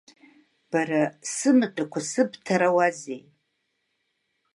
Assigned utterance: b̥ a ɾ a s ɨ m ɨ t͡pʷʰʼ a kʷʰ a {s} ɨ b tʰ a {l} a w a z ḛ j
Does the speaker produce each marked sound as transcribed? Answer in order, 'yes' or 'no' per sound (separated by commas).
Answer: yes, no